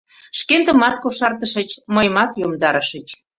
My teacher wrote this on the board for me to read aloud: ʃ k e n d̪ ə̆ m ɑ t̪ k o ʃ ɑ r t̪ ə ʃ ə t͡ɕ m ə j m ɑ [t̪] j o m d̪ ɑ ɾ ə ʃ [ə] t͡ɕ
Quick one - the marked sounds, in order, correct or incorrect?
correct, correct

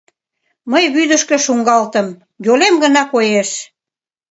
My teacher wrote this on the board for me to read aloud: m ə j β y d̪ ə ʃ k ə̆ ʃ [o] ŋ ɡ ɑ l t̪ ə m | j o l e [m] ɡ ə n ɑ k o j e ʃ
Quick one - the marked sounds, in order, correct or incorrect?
incorrect: u, correct

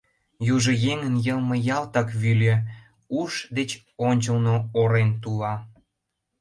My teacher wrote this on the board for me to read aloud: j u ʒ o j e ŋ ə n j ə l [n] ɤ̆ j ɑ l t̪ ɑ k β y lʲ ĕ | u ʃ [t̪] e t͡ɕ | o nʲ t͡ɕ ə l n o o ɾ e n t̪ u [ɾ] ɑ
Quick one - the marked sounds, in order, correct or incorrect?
incorrect: m, incorrect: d̪, incorrect: l

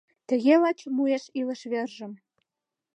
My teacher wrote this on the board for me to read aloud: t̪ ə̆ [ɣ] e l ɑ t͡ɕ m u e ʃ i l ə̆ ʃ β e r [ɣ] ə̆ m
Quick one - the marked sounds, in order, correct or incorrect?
correct, incorrect: ʒ

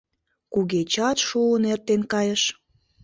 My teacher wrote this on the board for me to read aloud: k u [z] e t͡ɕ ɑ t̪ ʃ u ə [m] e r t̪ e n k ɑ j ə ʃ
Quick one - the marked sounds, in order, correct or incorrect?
incorrect: ɣ, incorrect: n

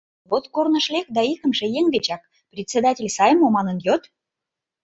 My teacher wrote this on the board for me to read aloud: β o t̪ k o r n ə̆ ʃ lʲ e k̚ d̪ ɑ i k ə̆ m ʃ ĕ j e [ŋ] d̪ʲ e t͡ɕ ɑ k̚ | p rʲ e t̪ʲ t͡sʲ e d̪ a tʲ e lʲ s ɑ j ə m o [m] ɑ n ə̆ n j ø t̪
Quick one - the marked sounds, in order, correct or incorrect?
correct, correct

